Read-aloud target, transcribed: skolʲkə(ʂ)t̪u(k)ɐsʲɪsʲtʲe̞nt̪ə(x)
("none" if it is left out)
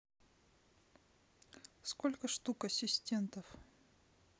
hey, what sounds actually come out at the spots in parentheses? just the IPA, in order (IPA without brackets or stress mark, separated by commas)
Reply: ʂ, k, f